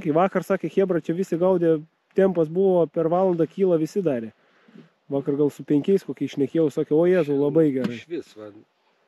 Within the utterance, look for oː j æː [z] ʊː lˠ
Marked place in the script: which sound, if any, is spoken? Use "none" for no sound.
z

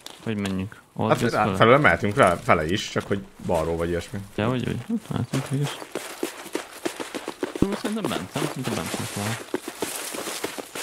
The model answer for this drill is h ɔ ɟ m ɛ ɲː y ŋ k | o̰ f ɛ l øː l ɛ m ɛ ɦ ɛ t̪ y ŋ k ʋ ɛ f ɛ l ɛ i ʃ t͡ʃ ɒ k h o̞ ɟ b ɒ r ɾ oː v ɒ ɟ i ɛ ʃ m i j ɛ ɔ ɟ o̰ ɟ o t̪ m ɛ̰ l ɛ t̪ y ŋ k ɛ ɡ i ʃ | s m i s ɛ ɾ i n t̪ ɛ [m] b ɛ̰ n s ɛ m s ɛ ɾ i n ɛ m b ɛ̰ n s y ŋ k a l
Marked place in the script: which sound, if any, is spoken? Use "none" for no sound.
m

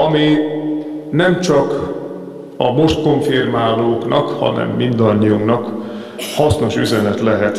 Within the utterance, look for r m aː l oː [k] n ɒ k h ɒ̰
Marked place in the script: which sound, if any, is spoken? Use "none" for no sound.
k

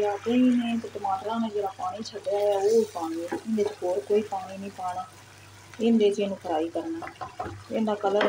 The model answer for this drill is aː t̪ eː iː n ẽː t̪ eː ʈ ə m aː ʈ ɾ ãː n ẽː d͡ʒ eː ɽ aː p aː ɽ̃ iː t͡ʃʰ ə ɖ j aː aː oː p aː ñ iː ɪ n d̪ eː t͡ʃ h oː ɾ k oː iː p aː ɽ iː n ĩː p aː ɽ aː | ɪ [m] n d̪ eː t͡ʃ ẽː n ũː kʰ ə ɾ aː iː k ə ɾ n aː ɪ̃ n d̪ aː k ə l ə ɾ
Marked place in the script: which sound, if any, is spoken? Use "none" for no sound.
none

